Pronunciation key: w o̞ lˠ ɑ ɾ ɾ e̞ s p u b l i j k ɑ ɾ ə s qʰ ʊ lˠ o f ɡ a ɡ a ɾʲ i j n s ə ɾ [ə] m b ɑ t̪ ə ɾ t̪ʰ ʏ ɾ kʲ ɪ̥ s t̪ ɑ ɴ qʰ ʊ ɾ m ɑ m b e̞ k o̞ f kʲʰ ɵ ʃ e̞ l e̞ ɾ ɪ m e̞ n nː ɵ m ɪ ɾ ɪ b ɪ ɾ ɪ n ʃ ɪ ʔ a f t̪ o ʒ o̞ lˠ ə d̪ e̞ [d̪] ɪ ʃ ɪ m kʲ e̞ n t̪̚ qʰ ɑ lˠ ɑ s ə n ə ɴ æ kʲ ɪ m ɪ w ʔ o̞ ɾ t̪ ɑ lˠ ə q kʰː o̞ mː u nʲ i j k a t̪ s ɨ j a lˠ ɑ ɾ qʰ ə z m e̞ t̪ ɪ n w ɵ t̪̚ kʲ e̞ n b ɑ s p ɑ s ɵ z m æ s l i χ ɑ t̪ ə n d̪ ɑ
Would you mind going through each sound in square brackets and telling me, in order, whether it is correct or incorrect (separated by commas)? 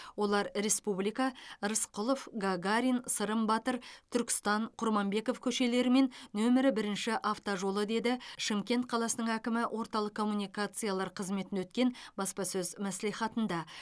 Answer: correct, correct